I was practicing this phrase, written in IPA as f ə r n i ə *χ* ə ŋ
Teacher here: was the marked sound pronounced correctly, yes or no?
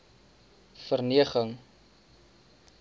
yes